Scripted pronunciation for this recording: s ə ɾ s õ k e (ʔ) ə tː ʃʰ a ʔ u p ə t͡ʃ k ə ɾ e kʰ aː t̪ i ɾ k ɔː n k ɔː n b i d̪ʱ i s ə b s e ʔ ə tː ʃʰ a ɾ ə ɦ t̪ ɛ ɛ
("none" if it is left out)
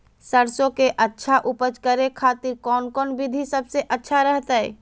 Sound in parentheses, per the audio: ʔ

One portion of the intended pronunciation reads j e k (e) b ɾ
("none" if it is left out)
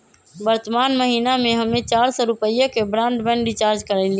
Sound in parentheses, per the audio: e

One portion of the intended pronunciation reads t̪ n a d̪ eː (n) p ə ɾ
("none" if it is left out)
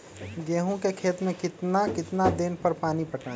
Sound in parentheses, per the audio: n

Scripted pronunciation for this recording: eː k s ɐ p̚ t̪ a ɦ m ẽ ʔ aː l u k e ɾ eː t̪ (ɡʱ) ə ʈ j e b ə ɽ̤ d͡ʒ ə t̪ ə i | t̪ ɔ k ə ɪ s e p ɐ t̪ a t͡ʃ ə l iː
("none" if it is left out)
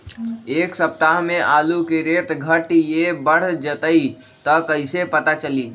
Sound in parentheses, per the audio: ɡʱ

